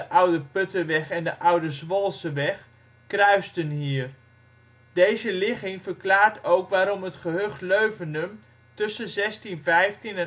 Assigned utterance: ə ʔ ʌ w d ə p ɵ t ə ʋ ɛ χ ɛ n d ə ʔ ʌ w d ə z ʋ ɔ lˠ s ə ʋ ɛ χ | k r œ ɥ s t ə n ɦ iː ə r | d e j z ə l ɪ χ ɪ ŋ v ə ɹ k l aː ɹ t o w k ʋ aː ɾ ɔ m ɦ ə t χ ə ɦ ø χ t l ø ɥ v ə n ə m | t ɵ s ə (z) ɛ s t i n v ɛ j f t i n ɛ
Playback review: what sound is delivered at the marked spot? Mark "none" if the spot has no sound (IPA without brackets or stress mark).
z